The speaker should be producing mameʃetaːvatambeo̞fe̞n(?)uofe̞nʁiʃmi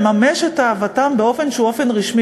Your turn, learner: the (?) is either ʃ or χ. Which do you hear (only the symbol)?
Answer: ʃ